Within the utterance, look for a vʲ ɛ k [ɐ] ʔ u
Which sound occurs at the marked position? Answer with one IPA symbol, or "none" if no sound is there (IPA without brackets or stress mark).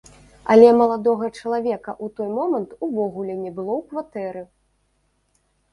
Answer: ɐ